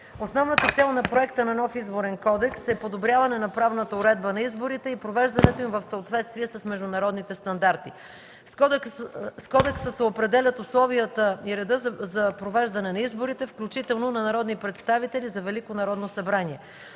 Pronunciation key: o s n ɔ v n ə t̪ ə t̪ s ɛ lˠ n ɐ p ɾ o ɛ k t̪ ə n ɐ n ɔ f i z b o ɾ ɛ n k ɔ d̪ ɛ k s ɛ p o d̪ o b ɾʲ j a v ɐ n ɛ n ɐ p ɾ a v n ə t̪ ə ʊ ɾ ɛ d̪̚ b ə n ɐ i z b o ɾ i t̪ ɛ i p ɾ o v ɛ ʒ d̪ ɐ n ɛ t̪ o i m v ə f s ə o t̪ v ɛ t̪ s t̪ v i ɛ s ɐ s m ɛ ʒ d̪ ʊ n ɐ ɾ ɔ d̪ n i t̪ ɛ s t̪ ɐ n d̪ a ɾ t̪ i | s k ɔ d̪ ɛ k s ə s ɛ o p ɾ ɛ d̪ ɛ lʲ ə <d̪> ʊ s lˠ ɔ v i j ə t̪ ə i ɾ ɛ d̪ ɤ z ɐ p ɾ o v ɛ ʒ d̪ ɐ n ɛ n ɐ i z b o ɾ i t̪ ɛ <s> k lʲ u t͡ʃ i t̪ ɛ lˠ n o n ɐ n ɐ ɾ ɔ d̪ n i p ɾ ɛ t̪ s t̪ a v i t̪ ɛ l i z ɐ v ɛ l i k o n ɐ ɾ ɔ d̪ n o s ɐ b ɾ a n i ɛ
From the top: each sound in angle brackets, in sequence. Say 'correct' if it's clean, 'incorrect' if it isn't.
incorrect: t̪, incorrect: f

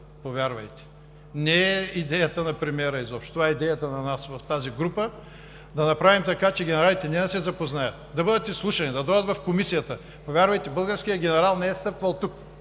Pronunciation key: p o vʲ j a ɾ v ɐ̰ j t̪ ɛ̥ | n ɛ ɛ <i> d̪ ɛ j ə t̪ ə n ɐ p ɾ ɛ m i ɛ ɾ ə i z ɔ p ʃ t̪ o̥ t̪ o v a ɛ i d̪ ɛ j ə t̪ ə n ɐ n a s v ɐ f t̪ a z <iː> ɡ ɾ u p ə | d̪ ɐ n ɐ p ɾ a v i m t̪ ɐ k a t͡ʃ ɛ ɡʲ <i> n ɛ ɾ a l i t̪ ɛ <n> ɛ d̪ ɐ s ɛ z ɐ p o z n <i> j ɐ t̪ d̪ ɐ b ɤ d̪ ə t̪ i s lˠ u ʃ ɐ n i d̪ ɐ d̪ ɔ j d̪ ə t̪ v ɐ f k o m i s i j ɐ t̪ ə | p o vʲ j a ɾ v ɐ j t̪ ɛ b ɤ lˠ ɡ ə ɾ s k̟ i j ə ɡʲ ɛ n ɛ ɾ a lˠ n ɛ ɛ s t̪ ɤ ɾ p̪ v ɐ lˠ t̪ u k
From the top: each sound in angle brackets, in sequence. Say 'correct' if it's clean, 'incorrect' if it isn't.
correct, incorrect: i, incorrect: ɛ, correct, incorrect: a

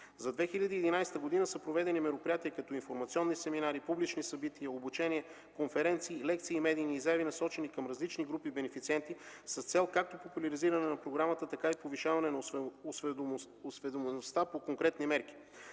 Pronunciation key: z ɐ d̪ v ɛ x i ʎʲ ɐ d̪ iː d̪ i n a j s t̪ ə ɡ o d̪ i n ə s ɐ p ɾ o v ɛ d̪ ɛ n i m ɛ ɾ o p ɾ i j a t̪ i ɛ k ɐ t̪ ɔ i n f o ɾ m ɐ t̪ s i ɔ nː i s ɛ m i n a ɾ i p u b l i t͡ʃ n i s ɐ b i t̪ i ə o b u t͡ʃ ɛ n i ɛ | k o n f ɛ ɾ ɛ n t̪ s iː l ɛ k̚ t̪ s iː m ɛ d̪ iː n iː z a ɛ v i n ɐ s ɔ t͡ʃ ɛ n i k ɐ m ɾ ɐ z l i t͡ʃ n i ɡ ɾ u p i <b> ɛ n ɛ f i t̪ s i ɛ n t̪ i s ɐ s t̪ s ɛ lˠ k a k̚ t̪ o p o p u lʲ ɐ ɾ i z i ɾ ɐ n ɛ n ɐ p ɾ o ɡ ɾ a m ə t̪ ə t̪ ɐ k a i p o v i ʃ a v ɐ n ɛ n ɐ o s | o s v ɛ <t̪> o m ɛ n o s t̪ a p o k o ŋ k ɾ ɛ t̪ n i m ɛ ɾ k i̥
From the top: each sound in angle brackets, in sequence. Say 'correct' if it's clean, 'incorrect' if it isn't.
correct, incorrect: d̪

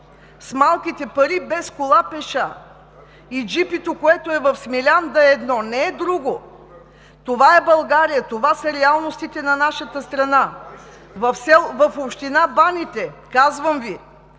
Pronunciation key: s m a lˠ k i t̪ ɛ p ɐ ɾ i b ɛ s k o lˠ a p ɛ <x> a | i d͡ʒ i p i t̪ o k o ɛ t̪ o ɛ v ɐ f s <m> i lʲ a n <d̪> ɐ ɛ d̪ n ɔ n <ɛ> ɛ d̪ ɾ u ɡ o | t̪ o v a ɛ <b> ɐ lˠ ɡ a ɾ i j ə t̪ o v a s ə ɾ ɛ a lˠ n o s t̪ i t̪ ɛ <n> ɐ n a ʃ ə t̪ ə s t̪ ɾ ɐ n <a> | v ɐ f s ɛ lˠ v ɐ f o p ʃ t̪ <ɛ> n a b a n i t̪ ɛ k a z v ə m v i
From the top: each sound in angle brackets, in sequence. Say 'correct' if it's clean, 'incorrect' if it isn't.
incorrect: ʃ, correct, correct, correct, correct, correct, correct, incorrect: i

